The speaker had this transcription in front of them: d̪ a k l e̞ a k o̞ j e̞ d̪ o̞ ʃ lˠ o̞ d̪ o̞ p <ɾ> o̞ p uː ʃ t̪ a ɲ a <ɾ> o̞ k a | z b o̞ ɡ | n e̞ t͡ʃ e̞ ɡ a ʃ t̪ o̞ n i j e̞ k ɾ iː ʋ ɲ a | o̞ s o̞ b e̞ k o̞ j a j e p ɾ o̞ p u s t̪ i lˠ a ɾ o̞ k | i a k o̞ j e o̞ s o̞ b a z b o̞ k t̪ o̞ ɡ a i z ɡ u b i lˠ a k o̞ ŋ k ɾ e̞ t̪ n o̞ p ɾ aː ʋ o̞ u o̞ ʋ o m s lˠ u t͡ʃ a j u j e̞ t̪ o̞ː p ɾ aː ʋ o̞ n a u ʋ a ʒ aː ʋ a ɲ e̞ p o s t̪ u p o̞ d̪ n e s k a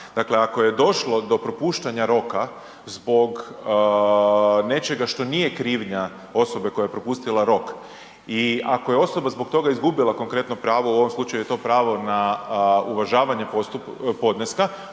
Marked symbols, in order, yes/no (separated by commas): yes, yes